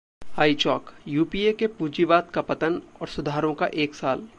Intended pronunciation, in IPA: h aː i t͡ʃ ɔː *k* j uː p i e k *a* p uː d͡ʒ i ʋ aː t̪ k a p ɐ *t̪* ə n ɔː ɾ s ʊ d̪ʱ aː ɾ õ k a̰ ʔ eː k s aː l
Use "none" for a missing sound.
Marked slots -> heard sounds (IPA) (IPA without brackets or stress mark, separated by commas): k, e, t̪